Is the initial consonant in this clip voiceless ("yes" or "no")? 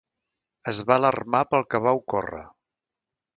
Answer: no